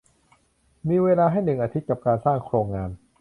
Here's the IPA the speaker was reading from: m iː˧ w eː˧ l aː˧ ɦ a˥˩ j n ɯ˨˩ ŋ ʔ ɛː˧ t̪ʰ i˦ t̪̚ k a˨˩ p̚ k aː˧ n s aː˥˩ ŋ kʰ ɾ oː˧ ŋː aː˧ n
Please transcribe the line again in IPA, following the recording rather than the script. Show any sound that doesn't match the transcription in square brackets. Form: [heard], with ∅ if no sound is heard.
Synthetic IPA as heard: m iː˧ w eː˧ l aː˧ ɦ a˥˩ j n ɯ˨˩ ŋ ʔ [aː˧] t̪ʰ i˦ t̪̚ k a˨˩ p̚ k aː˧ n s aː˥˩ ŋ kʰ ɾ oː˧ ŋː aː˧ n